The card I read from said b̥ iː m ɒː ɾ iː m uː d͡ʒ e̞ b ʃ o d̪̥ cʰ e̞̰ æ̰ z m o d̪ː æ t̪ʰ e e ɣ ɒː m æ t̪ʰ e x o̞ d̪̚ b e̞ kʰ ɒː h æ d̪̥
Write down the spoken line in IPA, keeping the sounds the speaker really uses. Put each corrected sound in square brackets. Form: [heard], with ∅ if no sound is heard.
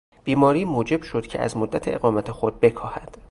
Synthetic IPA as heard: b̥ iː m ɒː ɾ iː m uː d͡ʒ e̞ b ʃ o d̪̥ cʰ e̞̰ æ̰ z m o d̪ː æ t̪ʰ e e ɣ ɒː m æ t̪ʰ e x o̞ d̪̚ b e̞ kʰ ɒː h æ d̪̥